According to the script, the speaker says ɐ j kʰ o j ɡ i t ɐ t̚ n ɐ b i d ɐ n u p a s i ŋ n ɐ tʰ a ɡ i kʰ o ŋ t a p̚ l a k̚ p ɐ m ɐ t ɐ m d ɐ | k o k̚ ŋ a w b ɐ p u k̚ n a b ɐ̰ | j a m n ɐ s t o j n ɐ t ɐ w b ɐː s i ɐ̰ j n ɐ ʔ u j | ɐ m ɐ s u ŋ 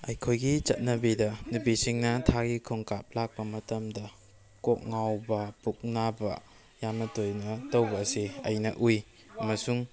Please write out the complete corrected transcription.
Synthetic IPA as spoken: ɐ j kʰ o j ɡ i t͡ʃ ɐ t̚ n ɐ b i d ɐ n u p i s i ŋ n ɐ tʰ a ɡ i kʰ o ŋ k a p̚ l a k̚ p ɐ m ɐ t ɐ m d ɐ | k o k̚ ŋ a w b ɐ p u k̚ n a b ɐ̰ | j a m n ɐ t o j n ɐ t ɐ w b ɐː s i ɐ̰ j n ɐ ʔ u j | ɐ m ɐ s u ŋ